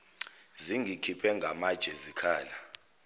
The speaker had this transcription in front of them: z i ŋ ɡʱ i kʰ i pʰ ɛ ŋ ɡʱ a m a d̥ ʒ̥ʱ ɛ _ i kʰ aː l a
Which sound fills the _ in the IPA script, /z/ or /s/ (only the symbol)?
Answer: z